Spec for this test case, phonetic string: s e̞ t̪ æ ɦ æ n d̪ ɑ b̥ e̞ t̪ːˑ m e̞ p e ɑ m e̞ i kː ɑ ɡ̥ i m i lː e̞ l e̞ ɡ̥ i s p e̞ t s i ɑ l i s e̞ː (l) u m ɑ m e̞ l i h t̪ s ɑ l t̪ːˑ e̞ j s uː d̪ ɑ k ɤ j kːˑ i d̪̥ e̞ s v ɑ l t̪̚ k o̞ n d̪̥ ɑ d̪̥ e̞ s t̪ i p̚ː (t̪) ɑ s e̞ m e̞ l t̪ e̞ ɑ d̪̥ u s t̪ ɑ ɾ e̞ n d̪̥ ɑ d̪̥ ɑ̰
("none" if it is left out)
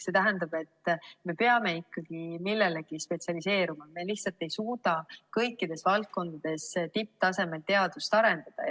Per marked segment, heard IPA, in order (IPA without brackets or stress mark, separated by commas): ɾ, t̪